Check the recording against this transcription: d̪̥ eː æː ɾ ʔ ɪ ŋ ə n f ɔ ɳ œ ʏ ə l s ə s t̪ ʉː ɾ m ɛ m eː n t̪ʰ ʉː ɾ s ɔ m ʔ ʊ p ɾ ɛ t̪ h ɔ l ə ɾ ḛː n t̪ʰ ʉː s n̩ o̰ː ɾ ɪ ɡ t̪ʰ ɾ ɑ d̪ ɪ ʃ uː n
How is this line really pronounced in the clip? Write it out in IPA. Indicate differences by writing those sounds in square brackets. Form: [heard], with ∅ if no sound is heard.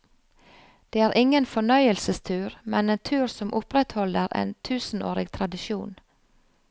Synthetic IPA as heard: d̪̥ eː æː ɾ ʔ ɪ ŋ ə n f ɔ ɳ œ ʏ ə l s ə s [t̪ʰ] ʉː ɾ m ɛ [n] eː n t̪ʰ ʉː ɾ s ɔ m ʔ ʊ p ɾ ɛ t̪ h ɔ l ə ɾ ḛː n t̪ʰ ʉː s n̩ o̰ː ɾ ɪ ɡ t̪ʰ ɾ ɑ d̪ ɪ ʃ uː n

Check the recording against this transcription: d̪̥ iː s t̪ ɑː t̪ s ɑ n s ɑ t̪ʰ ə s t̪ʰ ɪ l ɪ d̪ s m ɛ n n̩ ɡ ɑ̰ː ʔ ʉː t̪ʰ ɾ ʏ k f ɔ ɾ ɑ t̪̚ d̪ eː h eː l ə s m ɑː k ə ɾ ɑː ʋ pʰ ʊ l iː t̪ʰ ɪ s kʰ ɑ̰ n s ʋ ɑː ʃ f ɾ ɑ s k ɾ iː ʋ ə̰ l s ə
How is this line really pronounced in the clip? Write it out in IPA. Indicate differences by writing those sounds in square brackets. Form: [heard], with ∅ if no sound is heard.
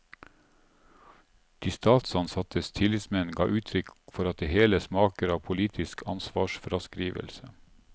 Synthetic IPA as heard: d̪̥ iː s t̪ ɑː t̪ s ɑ n s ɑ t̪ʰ ə s t̪ʰ ɪ l ɪ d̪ s m ɛ n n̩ ɡ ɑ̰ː ʔ ʉː t̪ʰ ɾ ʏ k f ɔ ɾ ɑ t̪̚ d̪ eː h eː l ə s m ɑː k ə ɾ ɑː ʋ pʰ ʊ l iː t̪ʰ ɪ s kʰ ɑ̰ n s ʋ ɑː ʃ f ɾ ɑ s k ɾ iː ʋ ə̰ l s ə

